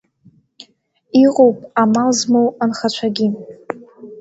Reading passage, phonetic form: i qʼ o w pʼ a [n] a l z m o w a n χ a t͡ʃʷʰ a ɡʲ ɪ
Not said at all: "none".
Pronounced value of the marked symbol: m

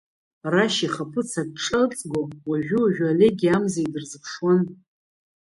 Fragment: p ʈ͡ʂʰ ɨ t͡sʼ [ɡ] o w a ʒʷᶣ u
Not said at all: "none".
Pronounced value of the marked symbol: ɡ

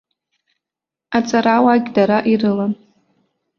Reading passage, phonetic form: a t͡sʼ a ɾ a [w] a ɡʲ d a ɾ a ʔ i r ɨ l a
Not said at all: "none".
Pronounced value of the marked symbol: w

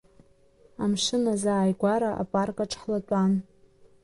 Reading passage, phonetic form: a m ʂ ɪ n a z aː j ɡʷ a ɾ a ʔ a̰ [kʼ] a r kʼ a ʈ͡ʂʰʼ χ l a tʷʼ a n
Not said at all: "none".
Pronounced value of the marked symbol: pʼ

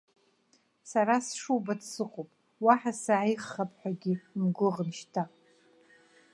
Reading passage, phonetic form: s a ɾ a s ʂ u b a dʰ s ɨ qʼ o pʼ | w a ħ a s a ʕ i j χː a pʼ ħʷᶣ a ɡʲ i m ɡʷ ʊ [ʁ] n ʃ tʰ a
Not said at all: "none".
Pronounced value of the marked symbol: ʁ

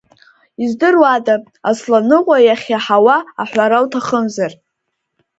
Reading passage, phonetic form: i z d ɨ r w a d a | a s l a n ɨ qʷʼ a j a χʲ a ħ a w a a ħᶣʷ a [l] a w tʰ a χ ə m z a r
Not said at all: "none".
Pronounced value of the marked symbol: ɾ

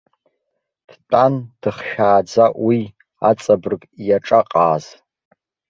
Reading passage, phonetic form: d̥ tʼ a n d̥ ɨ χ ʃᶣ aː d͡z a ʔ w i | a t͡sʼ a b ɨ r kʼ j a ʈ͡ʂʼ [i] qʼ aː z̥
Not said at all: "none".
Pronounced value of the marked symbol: a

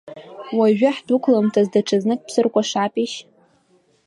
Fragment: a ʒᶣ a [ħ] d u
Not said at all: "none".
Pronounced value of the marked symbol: ħ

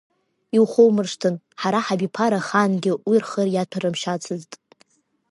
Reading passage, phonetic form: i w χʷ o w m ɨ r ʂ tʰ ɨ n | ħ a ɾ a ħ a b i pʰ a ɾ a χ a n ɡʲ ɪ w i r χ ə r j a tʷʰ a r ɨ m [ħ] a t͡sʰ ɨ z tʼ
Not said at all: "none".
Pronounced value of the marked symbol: ʃ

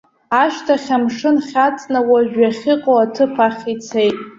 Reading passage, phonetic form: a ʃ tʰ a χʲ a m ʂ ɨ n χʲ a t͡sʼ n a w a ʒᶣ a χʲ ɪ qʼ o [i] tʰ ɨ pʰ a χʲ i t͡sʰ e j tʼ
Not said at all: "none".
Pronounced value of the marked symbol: a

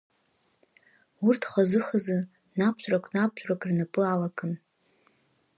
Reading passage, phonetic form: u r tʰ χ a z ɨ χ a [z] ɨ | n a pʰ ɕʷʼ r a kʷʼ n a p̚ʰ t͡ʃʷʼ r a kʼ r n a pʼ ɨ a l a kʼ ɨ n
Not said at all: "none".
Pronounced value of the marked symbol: z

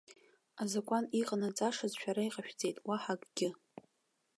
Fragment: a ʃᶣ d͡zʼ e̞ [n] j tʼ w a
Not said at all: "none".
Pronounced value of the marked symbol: none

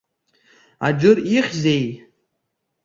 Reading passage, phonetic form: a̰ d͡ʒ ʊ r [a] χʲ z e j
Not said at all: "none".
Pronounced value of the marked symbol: i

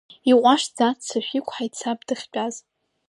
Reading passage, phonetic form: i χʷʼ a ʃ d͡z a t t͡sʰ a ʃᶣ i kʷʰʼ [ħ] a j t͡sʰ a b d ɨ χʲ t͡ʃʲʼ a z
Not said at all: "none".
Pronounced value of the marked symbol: ħ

